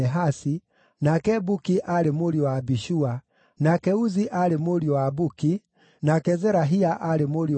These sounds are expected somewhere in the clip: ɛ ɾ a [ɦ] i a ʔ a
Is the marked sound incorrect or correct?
correct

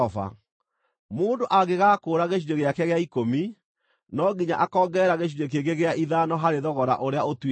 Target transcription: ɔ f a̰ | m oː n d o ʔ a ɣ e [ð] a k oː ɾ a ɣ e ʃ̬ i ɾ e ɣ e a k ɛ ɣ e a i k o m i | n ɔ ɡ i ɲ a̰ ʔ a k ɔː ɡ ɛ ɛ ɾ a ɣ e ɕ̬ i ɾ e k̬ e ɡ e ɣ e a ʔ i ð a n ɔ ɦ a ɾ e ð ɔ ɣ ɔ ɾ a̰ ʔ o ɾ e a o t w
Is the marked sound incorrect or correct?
incorrect: ɣ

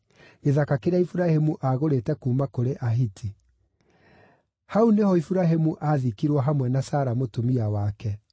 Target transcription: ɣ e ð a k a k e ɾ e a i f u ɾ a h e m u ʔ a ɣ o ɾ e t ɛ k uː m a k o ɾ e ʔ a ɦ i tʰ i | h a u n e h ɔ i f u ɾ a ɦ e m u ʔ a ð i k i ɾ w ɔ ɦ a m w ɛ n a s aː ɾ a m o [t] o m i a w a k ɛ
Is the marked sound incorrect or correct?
correct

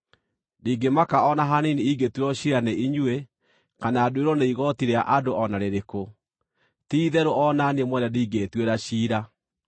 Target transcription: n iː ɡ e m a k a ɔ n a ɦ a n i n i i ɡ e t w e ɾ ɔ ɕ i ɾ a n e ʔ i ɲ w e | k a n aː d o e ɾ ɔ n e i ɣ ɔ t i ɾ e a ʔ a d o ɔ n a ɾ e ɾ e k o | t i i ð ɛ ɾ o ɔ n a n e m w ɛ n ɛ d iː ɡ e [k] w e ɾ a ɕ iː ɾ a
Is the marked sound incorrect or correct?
incorrect: t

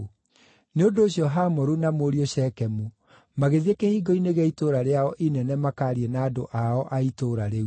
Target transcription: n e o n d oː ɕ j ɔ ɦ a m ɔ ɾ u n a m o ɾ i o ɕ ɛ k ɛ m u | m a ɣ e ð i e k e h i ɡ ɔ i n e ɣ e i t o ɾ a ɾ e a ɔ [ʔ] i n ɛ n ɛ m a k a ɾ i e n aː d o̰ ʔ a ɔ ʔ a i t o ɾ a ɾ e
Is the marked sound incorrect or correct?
correct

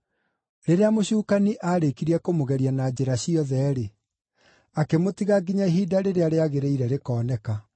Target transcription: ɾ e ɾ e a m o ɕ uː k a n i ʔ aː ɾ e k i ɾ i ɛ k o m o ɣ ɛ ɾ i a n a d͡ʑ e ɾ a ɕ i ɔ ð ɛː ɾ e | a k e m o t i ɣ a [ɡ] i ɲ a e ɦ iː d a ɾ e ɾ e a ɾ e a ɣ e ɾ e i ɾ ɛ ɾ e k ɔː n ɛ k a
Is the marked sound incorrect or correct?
correct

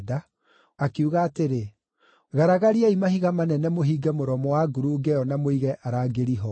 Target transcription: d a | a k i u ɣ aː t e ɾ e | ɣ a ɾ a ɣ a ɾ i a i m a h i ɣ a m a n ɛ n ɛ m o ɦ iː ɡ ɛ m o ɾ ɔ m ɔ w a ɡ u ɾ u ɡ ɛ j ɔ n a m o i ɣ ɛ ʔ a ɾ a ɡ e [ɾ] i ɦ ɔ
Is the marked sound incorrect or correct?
correct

